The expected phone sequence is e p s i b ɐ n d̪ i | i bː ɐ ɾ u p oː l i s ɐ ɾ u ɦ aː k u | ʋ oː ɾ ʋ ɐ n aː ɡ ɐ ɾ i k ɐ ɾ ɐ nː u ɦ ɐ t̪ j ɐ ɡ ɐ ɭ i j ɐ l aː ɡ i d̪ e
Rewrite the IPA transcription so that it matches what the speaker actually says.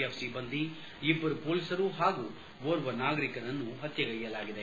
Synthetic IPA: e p s i b ɐ n d̪ i | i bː ɐ ɾ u p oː l i s ɐ ɾ u ɦ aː ɡ u | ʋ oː ɾ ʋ ɐ n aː ɡ ɐ ɾ i k ɐ ɾ ɐ nː u ɦ ɐ t̪ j ɐ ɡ ɐ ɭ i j ɐ l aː ɡ i d̪ e